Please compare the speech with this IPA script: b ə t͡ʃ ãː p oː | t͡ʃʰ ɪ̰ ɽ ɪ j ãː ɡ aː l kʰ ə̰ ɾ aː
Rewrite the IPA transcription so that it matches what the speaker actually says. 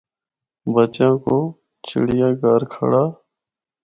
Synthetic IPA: b ə t͡ʃ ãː k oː | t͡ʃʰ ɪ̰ ɽ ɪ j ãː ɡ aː ɾ kʰ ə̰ ɽ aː